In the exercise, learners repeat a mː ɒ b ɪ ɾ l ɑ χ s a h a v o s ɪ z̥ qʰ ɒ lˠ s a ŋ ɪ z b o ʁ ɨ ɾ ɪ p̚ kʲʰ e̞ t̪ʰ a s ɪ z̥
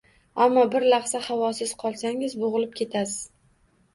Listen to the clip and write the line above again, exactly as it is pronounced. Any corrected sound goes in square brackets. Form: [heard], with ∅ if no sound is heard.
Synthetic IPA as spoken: a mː ɒ b ɪ ɾ l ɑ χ s a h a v [ɒ] s ɪ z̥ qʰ ɒ lˠ s a ŋ ɪ z b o ʁ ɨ [l] ɪ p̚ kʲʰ e̞ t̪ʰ a s ɪ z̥